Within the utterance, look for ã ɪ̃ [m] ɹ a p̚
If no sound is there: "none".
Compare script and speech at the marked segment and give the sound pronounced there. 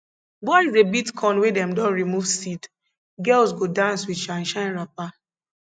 n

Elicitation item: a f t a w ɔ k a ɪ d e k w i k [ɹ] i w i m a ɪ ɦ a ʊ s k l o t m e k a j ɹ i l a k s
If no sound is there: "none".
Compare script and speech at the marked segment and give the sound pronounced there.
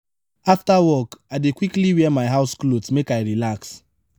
l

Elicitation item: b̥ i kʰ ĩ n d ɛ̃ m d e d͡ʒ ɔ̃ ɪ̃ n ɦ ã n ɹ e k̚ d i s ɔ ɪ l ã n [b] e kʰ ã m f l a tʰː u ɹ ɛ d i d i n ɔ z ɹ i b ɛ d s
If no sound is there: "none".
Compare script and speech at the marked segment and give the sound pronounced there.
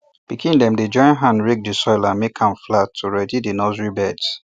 m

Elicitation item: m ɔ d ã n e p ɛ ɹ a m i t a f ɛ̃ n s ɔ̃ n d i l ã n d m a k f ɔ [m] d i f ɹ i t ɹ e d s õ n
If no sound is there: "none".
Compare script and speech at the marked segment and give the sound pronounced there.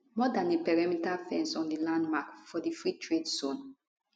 none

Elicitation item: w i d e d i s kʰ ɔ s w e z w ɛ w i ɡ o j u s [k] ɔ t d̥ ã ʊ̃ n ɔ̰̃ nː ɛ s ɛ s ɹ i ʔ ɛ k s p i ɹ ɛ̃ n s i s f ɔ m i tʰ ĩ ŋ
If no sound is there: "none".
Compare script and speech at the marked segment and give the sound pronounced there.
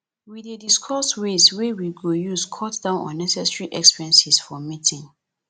kʰ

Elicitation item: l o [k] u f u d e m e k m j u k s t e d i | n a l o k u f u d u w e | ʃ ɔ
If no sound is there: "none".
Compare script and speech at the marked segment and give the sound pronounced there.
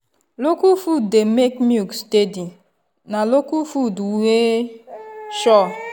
k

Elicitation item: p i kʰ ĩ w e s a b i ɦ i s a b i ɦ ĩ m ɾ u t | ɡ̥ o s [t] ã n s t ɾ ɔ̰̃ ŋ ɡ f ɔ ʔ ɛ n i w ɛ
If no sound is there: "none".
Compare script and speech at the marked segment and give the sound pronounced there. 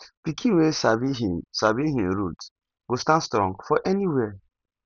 t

